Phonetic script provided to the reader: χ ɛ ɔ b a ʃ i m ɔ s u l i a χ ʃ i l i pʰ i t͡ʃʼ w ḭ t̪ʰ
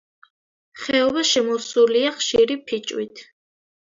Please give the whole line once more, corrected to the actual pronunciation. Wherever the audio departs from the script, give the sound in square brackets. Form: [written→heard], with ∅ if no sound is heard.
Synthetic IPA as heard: χ ɛ ɔ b a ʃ [i→ɛ] m ɔ s u l i a χ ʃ i [l→ɾ] i pʰ i t͡ʃʼ w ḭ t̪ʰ